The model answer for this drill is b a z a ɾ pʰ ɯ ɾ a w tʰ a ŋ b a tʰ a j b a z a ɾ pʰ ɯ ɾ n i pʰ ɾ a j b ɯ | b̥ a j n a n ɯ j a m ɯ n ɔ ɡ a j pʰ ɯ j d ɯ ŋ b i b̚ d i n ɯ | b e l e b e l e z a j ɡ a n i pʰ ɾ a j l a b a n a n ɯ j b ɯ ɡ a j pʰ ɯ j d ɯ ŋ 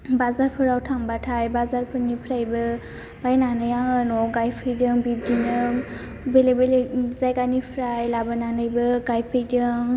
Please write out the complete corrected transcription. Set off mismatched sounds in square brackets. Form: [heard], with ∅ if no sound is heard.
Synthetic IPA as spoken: b a z a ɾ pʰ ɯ ɾ a w tʰ a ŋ b a tʰ a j b a z a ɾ pʰ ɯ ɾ n i pʰ ɾ a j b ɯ | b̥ a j n a n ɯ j a [ŋ] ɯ n ɔ ɡ a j pʰ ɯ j d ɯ ŋ b i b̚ d i n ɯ | b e l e b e l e z a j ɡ a n i pʰ ɾ a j l a b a n a n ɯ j b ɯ ɡ a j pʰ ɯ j d ɯ ŋ